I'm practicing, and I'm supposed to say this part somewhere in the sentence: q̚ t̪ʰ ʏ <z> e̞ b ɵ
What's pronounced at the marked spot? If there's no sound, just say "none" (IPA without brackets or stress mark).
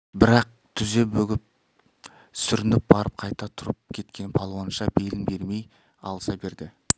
z